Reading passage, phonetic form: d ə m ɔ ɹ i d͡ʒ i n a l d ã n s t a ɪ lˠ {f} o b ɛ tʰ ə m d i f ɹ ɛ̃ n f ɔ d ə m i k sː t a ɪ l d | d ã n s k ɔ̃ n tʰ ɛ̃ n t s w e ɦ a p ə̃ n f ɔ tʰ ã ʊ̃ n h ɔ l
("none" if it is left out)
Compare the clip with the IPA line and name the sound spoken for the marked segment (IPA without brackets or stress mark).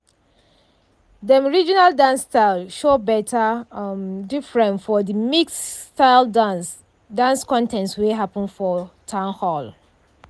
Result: ʃ